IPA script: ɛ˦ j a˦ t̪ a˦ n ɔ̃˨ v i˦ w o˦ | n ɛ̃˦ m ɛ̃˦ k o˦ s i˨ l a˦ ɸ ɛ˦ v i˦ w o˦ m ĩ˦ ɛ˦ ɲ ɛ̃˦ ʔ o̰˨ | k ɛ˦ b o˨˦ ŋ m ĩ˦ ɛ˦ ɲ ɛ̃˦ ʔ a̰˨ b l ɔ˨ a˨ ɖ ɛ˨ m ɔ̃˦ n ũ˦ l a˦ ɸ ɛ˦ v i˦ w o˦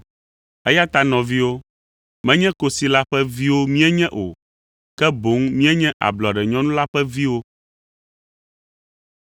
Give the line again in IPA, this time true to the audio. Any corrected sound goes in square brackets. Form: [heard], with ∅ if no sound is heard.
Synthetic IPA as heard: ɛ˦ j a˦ t̪ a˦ n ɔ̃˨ v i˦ w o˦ | [m] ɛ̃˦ [ɲ] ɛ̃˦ k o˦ s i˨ l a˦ ɸ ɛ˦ v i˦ w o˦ m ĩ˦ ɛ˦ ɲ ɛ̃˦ ʔ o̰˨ | k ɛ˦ b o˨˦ ŋ m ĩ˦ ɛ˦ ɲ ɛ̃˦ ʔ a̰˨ b l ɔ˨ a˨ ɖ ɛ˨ [ɲ] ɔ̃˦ n ũ˦ l a˦ ɸ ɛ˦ v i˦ w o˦